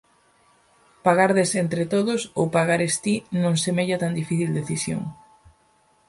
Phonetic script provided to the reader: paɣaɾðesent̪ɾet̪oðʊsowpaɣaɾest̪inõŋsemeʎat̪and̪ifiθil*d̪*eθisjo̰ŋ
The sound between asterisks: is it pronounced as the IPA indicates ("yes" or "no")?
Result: yes